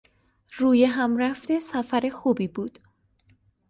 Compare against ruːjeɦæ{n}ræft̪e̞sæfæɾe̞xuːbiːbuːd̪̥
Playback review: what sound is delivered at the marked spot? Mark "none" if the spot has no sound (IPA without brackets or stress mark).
m